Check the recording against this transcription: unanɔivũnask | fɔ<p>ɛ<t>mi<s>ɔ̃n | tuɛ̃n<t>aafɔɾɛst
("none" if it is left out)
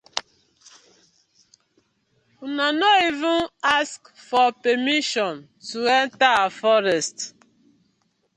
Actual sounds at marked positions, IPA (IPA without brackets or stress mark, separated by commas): p, none, ʃ, t